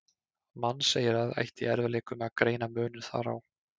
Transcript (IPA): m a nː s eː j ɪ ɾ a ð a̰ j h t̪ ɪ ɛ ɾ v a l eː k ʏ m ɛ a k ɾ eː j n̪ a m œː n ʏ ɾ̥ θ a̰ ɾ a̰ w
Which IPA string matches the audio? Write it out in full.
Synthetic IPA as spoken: m a nː s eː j ɪ ɾ a ð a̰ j h t̪ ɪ ɛ ɾ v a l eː k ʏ m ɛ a k ɾ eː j n̪ a m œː n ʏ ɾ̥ θ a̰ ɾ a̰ w